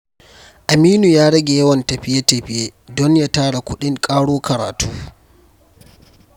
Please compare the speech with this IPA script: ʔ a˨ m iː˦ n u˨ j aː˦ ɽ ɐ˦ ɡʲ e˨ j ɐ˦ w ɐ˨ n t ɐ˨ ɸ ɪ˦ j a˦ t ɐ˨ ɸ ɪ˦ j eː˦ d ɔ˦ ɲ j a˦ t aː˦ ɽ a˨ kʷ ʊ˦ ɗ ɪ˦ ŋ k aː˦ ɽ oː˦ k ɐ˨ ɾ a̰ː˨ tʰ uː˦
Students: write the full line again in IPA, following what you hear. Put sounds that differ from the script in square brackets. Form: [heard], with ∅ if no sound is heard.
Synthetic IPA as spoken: ʔ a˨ m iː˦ n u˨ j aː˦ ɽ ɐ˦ ɡʲ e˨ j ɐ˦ w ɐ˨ n t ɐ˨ ɸ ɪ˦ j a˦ t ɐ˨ ɸ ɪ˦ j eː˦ d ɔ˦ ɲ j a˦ t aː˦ ɽ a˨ kʷ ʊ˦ ɗ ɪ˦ ŋ [kʼ] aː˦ ɽ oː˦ k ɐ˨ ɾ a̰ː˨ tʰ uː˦